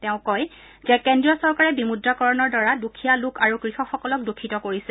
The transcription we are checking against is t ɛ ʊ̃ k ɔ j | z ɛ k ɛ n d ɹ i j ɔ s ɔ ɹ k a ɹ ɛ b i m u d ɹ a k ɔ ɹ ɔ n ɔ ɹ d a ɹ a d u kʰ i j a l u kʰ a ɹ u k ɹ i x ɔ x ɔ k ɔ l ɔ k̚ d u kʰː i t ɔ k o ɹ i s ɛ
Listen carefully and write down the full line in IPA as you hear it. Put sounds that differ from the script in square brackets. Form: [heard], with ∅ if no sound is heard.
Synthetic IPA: t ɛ ʊ̃ k ɔ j | z ɛ k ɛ n d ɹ i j ɔ s ɔ ɹ k a ɹ ɛ b i m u d ɹ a k ɔ ɹ ɔ n ɔ ɹ d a ɹ a d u kʰ i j a l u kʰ a ɹ u k ɹ i x ɔ x ɔ k ɔ l ɔ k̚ d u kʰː i t ɔ k o ɹ i s ɛ